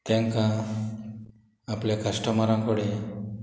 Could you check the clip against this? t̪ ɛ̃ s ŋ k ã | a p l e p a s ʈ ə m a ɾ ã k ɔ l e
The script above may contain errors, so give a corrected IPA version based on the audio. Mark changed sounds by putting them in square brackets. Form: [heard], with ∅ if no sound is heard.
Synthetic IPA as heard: t̪ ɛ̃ [∅] ŋ k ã | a p l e [k] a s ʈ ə m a ɾ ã k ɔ [ɽ] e